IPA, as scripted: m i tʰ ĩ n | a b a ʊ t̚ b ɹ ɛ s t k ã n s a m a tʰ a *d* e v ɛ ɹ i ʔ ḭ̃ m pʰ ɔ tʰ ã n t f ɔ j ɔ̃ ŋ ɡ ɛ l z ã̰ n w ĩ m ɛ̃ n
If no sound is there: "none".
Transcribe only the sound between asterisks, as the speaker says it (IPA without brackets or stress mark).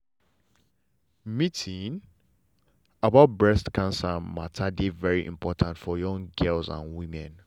d